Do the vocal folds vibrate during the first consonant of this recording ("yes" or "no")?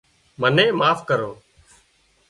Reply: yes